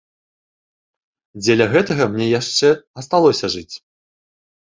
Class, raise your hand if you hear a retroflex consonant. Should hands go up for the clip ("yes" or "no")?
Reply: yes